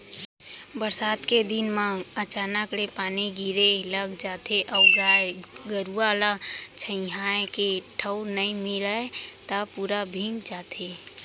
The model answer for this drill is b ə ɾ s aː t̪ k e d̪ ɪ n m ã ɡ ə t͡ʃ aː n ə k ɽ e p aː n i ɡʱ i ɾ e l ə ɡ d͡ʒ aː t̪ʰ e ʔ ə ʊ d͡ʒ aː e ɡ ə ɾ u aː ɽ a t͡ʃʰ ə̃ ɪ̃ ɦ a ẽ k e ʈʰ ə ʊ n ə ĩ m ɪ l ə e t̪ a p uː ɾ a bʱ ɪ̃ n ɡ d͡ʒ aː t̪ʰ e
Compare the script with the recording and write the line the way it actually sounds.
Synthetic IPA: b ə ɾ s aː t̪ k e d̪ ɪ n m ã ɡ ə t͡ʃ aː n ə k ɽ e p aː n i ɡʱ i ɾ e l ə ɡ d͡ʒ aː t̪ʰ e ʔ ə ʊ d͡ʒ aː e ɡ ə ɾ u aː l a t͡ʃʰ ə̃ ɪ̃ ɦ a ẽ k e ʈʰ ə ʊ n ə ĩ m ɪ l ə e t̪ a p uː ɾ a bʱ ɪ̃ ŋ ɡ d͡ʒ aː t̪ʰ e

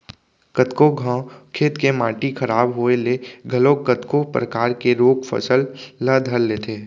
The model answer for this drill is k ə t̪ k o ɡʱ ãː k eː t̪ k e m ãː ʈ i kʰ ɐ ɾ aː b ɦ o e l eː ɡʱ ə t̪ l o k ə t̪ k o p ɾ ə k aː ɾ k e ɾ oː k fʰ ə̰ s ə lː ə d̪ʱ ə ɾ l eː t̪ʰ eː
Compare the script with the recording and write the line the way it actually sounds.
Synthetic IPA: k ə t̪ k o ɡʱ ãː kʰ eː t̪ k e m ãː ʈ i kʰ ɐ ɾ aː b ɦ o e l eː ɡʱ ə l o k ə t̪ k o p ɾ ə k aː ɾ k e ɾ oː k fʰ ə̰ s ə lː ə d̪ʱ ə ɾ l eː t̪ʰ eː

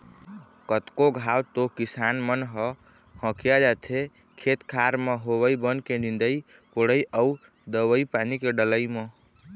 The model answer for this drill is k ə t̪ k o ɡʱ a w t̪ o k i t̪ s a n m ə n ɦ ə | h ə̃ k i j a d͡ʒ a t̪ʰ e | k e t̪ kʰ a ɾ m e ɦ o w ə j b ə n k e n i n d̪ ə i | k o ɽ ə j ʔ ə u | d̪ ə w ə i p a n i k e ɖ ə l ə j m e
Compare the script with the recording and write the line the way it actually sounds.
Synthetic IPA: k ə t̪ k o ɡʱ a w t̪ o k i s a n m ə n ɦ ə | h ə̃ k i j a d͡ʒ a t̪ʰ e | kʰ e t̪ kʰ a ɾ m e ɦ o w ə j b ə n k e n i n d̪ ə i | p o ɽ ə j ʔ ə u | d̪ ə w ə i p a n i k e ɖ ə l ə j m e

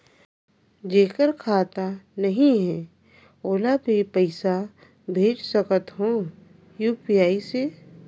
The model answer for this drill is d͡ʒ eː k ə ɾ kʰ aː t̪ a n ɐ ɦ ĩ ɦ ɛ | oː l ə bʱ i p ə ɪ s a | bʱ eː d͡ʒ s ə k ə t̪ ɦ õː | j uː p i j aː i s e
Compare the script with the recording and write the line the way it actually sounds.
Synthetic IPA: d͡ʒ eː k ə ɾ kʰ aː t̪ a n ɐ ɦ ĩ ɦ ɛ | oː l a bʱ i p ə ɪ s a | bʱ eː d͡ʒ s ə k ə t̪ ɦ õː | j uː p i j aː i s e

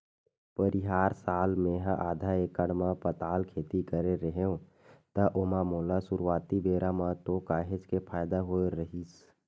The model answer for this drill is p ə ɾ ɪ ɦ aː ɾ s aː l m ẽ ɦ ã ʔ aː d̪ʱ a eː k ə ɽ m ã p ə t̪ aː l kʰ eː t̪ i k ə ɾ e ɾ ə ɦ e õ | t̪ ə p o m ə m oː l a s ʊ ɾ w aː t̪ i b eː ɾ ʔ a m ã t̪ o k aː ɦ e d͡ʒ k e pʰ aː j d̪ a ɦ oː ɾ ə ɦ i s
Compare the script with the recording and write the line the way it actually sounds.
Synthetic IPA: p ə ɾ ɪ ɦ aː ɾ s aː l m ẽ ɦ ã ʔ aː d̪ʱ a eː k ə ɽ m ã p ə t̪ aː l kʰ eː t̪ i k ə ɾ e ɾ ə ɦ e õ | t̪ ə ʔ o m a m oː l a s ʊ ɾ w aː t̪ i b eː ɾ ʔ a m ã t̪ o k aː ɦ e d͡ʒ k e pʰ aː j d̪ a ɦ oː ɾ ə ɦ i s

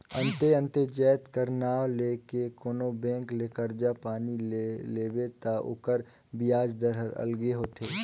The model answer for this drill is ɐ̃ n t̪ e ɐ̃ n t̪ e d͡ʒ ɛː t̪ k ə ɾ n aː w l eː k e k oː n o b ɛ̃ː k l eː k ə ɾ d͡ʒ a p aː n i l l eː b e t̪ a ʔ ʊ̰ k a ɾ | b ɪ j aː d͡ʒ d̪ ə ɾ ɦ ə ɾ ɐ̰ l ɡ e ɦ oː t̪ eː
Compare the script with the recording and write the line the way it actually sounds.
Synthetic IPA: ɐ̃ n t̪ e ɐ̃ n t̪ e d͡ʒ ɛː t̪ k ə ɾ n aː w l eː k e k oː n o b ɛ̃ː k l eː k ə ɾ d͡ʒ a p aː n i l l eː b e t̪ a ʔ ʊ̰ k ə ɾ | b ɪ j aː d͡ʒ d̪ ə ɾ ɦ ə ɾ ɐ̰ l ɡ e ɦ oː t̪ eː

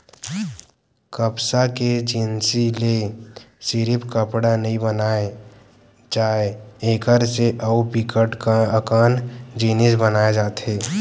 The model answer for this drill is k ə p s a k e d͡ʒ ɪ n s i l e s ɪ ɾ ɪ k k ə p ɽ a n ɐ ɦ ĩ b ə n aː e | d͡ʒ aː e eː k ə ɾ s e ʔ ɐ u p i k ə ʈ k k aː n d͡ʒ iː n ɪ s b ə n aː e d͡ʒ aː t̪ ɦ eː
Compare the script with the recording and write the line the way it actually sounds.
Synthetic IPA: k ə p s a k e d͡ʒ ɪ n s i l e s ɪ ɾ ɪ p k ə p ɽ a n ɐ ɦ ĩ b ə n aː e | d͡ʒ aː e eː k ə ɾ s e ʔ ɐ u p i k ə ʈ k k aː n d͡ʒ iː n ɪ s b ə n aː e d͡ʒ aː t̪ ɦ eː

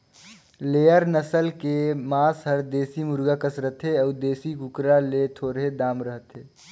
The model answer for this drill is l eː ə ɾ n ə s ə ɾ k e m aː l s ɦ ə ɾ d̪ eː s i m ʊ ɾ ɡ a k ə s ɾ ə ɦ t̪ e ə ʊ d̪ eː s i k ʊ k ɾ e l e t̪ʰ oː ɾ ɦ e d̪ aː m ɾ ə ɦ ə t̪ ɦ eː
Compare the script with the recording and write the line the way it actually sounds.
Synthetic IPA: l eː ə ɾ n ə s ə l k e m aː s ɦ ə ɾ d̪ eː s i m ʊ ɾ ɡ a k ə s ɾ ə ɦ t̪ e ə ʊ d̪ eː s i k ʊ k ɾ a l e t̪ʰ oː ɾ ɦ e d̪ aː m ɾ ə ɦ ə t̪ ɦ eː

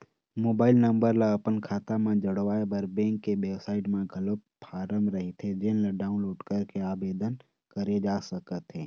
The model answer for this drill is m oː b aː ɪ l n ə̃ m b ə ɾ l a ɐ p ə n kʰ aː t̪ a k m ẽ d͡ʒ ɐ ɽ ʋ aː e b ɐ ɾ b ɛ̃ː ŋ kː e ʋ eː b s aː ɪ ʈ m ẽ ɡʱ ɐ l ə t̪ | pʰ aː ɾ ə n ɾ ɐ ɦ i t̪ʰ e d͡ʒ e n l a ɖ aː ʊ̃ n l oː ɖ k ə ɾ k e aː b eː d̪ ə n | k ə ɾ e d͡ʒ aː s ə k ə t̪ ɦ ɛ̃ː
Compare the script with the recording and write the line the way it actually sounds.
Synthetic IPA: m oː b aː ɪ l n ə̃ m b ə ɾ l a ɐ p ə n kʰ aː t̪ a m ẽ d͡ʒ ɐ ɽ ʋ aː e b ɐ ɾ b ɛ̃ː ŋ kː e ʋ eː b s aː ɪ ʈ m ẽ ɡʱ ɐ l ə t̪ | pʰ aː ɾ ə m ɾ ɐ ɦ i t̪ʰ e d͡ʒ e n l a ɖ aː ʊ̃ n l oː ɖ k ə ɾ k e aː b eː d̪ ə n | k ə ɾ e d͡ʒ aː s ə k ə t̪ ɦ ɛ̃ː

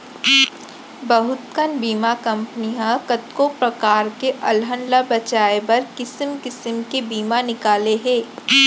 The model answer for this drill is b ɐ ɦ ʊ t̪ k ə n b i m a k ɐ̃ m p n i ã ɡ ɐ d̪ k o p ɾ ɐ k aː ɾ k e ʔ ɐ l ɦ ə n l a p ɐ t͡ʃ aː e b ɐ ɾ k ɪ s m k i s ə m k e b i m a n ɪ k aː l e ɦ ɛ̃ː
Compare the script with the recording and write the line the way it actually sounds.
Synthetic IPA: b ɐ ɦ ʊ t̪ k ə n b iː m a k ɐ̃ m p n i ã k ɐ t̪ k o p ɾ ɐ k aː ɾ k e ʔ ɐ l ɦ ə n l a b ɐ t͡ʃ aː e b ɐ ɾ k ɪ s m k ɪ s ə m k e b iː m a n ɪ k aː l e ɦ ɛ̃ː

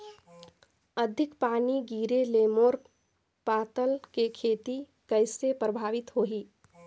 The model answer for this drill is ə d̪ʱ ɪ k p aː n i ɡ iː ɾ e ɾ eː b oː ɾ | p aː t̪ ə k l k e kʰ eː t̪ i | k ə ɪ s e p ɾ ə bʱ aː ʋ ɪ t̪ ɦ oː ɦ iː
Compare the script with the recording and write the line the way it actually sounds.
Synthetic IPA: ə d̪ʱ ɪ k p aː n i ɡ iː ɾ e l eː m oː ɾ | p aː t̪ ə l k e kʰ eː t̪ i | k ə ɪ s e p ɾ ə bʱ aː ʋ ɪ t̪ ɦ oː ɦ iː

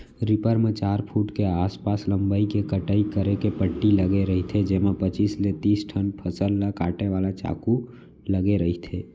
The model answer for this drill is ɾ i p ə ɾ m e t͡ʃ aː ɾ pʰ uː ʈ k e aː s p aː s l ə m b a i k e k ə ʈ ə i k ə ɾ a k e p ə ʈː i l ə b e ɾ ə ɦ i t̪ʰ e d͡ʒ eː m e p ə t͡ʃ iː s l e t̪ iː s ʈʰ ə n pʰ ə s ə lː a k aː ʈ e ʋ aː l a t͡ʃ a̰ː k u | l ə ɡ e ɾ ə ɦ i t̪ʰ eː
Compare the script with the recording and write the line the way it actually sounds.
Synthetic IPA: ɾ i p ə ɾ m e t͡ʃ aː ɾ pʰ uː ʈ k e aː s p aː s l ə m b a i k e k ə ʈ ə i k ə ɾ e k e p ə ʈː i l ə ɡ e ɾ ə ɦ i t̪ʰ e d͡ʒ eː m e p ə t͡ʃ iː s l e t̪ iː s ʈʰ ə n pʰ ə s ə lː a k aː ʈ e ʋ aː l a t͡ʃ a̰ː k u | l ə ɡ e ɾ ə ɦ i t̪ʰ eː

